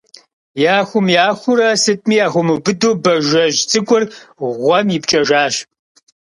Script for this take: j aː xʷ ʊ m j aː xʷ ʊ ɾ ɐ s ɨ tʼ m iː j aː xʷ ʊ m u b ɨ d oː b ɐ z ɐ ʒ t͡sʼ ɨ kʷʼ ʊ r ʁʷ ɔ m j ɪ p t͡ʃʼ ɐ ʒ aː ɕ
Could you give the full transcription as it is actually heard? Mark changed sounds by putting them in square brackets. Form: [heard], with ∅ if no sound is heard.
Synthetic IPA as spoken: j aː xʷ ʊ m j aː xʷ ʊ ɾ ɐ s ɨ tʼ m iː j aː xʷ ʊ m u b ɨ d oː b ɐ [ʒ] ɐ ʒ t͡sʼ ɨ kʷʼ ʊ r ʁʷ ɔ m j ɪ p t͡ʃʼ ɐ ʒ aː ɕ